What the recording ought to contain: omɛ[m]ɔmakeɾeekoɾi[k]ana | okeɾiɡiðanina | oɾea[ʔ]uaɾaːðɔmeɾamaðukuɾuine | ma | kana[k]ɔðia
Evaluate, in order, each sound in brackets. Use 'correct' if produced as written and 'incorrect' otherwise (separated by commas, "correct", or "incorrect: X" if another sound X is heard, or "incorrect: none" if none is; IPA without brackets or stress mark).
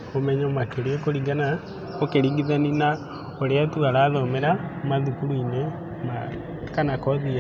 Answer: incorrect: ɲ, incorrect: ɡ, incorrect: t, correct